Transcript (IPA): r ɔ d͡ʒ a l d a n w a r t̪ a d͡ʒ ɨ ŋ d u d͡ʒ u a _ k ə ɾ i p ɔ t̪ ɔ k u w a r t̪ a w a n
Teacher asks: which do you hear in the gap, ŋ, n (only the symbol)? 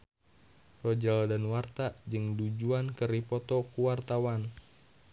n